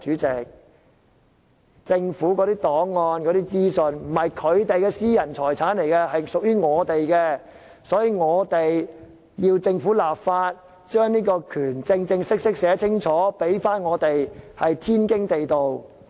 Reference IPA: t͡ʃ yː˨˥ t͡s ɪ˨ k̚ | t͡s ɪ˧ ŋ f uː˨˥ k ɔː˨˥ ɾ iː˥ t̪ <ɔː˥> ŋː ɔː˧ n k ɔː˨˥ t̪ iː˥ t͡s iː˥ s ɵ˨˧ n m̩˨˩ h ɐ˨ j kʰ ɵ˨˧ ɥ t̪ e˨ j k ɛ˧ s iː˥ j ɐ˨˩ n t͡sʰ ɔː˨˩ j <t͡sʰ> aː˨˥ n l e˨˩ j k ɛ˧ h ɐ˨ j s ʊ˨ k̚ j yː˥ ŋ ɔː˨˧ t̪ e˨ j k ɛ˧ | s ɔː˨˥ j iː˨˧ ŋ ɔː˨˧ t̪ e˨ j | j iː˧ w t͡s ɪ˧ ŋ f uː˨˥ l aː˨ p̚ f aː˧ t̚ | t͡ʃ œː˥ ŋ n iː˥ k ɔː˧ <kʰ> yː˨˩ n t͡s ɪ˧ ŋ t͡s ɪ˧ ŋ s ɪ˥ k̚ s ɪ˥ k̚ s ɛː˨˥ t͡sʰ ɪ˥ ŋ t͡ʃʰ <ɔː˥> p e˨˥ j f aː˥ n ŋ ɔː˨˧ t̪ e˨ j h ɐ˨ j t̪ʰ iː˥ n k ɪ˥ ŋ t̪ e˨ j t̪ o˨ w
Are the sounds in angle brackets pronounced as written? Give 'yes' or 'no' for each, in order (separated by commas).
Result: no, yes, yes, no